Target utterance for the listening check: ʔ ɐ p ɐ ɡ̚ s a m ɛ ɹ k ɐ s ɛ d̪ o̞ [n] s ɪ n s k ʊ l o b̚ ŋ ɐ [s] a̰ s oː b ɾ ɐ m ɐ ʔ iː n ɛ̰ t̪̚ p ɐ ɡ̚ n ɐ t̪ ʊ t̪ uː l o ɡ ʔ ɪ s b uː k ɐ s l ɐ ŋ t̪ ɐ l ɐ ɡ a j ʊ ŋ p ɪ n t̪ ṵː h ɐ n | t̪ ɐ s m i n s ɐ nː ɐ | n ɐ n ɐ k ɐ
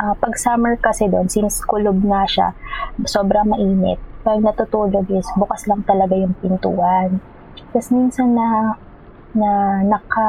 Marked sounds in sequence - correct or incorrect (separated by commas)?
correct, incorrect